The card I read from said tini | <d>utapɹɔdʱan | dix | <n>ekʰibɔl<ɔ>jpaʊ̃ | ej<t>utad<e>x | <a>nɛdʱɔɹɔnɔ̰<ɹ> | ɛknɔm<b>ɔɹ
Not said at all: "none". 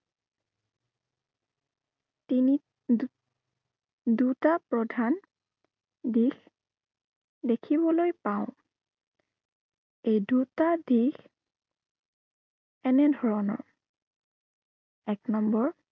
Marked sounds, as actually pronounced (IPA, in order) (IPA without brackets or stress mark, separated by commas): d, d, o, d, i, ɛ, ɹ, b